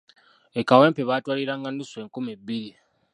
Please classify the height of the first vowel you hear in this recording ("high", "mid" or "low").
mid